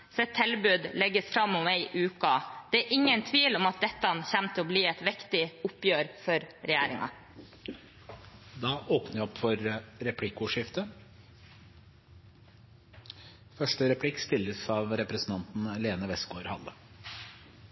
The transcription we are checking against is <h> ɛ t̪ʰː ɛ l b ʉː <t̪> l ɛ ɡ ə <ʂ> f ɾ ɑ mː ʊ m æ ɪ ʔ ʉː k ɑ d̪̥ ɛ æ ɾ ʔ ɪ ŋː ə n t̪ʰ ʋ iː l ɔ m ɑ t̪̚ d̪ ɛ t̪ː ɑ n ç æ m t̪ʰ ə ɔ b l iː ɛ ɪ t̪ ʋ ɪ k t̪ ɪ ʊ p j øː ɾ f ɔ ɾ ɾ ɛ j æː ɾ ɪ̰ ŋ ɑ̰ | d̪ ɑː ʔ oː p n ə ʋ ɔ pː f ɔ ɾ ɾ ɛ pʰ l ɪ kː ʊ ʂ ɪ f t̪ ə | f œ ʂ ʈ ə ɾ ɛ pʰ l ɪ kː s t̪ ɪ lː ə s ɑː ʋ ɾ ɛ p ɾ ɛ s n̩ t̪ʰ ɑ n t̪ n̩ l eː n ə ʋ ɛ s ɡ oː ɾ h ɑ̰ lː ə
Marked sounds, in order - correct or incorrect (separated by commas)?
incorrect, incorrect, incorrect